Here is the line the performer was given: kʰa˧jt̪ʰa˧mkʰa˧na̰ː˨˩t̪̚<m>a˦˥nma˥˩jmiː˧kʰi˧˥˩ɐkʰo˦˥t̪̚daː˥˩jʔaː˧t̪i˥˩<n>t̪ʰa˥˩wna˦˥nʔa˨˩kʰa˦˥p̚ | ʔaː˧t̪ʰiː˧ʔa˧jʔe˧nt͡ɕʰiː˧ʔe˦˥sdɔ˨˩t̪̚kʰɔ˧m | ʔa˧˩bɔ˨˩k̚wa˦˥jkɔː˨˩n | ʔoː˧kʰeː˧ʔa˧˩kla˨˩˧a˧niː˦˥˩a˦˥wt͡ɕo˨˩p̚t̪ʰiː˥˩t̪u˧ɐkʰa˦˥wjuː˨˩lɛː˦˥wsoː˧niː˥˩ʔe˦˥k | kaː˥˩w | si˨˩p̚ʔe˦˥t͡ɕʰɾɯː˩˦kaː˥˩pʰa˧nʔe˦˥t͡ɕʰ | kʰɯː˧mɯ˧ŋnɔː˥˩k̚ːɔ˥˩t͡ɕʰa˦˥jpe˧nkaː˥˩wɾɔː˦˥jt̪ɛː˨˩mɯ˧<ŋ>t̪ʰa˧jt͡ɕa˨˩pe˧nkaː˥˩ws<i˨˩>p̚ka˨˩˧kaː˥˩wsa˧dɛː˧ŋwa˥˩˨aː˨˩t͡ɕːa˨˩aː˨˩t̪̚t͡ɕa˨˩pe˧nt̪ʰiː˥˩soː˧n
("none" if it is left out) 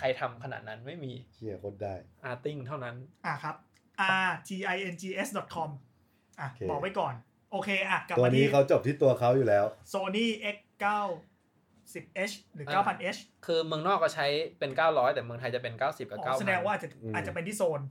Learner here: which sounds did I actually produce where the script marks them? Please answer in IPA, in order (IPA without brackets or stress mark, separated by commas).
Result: n, ŋ, ŋ, i˨˩